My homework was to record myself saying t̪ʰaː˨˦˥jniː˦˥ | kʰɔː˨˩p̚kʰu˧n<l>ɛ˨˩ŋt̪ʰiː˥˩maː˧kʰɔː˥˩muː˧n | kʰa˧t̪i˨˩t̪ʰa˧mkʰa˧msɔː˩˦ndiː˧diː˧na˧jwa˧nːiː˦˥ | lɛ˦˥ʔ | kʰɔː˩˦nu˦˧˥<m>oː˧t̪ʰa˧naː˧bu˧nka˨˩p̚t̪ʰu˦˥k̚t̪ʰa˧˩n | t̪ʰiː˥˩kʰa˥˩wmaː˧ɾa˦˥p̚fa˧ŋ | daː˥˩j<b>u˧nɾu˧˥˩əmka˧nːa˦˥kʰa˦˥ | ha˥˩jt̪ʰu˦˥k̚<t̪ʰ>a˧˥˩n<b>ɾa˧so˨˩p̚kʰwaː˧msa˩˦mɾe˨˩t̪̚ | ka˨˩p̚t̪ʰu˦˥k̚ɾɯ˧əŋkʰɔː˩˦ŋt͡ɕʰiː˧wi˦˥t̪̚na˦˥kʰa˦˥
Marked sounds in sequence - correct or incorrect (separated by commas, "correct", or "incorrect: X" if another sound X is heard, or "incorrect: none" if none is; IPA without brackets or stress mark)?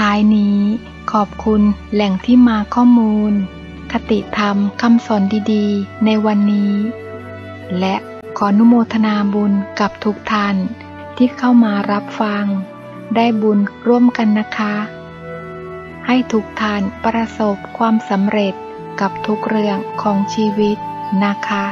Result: correct, correct, correct, correct, incorrect: p